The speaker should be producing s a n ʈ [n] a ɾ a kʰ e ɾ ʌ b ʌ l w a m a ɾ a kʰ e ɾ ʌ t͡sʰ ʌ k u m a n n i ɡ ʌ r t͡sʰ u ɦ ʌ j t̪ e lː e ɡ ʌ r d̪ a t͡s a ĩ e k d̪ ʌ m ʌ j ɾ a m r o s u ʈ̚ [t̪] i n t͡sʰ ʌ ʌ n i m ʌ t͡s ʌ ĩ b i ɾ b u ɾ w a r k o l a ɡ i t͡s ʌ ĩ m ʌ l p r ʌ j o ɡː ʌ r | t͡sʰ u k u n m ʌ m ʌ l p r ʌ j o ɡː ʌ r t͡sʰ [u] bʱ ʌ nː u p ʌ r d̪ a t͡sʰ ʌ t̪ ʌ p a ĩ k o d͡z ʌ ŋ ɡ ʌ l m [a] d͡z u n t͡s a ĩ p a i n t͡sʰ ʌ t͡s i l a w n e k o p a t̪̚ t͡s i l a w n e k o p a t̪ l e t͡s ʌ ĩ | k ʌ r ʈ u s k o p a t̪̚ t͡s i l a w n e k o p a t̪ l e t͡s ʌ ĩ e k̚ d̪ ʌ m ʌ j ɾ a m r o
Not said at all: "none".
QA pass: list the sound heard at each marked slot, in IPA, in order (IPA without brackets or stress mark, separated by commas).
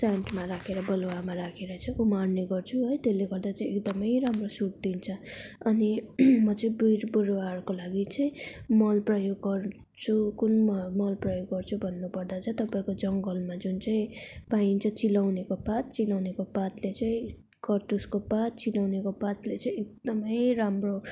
m, d̪, u, a